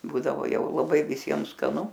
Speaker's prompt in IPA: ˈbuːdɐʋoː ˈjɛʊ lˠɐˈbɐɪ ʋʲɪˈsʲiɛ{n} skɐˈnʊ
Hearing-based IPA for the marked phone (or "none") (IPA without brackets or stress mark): m